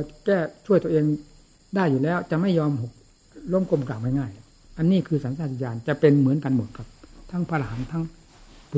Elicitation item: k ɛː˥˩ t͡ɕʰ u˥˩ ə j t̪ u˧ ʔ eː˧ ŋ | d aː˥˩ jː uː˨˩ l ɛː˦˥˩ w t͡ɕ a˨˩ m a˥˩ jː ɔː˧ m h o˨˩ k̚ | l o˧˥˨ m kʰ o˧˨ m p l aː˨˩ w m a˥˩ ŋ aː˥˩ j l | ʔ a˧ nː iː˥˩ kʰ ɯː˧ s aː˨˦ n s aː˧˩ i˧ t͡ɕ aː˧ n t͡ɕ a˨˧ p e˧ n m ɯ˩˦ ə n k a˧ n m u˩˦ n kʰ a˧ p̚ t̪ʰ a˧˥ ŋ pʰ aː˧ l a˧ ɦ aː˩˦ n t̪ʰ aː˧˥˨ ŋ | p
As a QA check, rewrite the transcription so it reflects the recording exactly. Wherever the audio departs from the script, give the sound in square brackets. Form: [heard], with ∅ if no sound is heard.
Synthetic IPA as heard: k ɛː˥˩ t͡ɕʰ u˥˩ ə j t̪ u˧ ʔ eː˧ ŋ | d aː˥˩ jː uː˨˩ l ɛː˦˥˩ w t͡ɕ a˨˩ m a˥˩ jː ɔː˧ m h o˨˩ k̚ | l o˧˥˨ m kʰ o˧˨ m [k] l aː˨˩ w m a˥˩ ŋ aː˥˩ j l | ʔ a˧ nː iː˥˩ kʰ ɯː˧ s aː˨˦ n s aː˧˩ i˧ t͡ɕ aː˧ n t͡ɕ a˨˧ p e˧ n m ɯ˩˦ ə n k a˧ n m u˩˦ n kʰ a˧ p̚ t̪ʰ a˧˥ ŋ pʰ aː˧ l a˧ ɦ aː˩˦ n t̪ʰ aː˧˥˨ ŋ | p